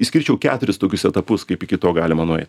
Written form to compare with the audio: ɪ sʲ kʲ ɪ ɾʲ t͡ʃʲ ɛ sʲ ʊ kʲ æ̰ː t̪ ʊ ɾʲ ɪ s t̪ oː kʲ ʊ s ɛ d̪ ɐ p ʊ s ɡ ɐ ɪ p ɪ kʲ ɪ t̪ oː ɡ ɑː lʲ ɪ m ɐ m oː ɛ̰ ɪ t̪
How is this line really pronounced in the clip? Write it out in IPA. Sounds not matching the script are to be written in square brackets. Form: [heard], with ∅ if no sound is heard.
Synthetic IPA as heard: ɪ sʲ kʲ ɪ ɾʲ t͡ʃʲ ɛ [∅] ʊ kʲ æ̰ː t̪ ʊ ɾʲ ɪ s t̪ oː kʲ ʊ s ɛ [t̪] ɐ p ʊ s [k] ɐ ɪ p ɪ kʲ ɪ t̪ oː ɡ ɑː lʲ ɪ m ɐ [n] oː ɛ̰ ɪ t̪